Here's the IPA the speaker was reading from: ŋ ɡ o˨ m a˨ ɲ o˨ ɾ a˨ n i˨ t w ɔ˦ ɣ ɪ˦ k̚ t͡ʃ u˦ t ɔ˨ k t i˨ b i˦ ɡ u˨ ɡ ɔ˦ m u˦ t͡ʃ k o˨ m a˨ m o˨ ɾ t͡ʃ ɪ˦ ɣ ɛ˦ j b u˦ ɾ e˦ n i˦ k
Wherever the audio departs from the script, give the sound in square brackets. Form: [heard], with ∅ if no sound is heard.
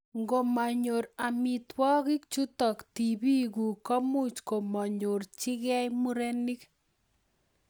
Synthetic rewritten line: ŋ ɡ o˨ m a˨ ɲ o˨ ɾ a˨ [m] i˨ t w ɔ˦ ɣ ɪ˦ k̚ t͡ʃ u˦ t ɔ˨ k t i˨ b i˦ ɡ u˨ [k] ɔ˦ m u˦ t͡ʃ k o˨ m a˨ [ɲ] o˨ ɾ t͡ʃ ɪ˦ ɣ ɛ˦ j [m] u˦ ɾ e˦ n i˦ k